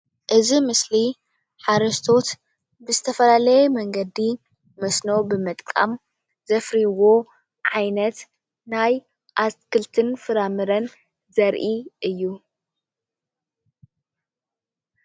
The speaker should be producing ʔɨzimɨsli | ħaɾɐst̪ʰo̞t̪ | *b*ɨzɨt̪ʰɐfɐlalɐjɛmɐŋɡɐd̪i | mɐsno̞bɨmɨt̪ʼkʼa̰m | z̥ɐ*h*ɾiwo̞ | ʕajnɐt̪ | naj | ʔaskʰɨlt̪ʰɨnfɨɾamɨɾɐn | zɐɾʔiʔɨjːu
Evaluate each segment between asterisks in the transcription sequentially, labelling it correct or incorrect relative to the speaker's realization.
correct, incorrect: f

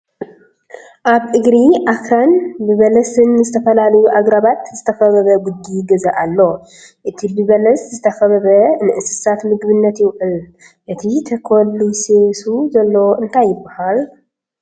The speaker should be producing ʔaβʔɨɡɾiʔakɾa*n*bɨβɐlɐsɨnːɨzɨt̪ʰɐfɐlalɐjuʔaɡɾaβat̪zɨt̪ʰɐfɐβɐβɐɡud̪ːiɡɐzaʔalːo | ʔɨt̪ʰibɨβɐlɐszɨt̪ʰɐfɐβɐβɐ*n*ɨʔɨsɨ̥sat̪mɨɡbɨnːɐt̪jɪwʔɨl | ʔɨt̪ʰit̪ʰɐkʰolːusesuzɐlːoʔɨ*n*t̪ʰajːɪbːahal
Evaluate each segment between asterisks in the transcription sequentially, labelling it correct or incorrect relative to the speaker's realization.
correct, correct, correct

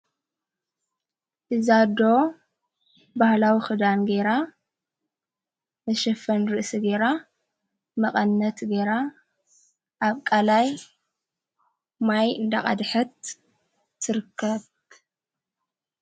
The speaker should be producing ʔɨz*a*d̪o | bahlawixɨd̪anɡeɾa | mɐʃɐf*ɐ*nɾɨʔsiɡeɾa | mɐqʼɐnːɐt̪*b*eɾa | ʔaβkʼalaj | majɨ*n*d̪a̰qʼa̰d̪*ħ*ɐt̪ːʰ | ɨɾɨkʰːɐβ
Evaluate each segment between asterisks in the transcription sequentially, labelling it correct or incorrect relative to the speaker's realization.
correct, correct, incorrect: ɡ, correct, correct

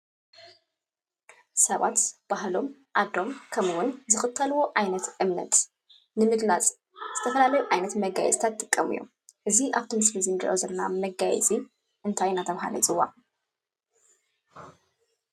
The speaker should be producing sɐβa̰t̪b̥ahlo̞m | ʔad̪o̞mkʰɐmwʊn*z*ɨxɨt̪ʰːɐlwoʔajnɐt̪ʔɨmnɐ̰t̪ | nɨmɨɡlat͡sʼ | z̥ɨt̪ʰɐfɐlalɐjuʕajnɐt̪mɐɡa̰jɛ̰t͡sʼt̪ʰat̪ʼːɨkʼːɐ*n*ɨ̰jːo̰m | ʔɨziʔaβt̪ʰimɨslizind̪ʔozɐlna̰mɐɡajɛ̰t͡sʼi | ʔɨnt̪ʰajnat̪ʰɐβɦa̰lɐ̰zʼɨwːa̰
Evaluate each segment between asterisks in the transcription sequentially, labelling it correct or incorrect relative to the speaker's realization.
correct, incorrect: m

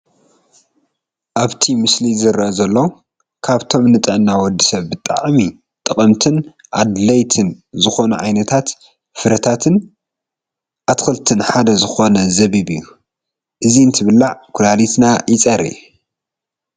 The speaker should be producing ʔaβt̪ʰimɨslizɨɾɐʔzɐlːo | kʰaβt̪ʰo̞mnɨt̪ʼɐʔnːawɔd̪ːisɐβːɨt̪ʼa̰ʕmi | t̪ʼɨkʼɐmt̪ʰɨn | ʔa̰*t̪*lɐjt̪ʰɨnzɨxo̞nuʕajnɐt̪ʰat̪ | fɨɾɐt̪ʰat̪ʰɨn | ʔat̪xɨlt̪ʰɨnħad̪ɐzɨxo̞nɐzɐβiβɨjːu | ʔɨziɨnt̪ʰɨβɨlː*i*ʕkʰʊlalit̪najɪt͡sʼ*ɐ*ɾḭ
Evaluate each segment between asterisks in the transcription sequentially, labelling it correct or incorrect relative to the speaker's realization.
incorrect: d̪, incorrect: a, correct

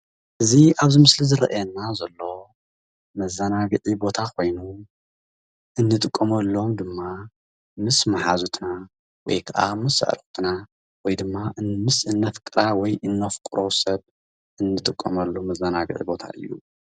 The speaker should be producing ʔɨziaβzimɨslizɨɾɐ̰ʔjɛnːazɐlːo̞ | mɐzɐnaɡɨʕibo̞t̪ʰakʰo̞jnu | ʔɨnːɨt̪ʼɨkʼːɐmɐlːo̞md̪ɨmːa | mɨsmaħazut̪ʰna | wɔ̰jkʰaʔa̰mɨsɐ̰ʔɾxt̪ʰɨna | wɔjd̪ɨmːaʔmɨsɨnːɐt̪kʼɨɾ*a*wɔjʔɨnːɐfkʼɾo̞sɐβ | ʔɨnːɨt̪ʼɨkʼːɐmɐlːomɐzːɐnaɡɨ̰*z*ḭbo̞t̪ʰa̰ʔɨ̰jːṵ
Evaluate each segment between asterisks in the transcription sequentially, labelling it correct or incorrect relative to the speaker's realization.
correct, incorrect: ʕ

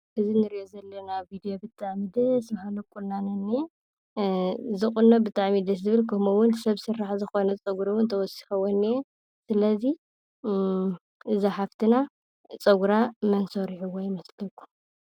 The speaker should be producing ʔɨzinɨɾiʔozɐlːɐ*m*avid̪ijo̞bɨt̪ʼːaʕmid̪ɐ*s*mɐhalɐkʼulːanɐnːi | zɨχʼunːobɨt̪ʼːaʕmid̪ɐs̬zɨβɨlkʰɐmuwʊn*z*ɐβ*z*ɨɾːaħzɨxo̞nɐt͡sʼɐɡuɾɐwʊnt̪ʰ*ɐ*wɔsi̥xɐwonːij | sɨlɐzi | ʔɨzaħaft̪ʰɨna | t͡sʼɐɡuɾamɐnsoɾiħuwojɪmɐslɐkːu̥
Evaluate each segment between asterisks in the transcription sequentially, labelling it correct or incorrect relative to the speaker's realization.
incorrect: n, correct, incorrect: s, incorrect: s, correct

